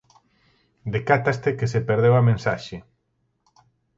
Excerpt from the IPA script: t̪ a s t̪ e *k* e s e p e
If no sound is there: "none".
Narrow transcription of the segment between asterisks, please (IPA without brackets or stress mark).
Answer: k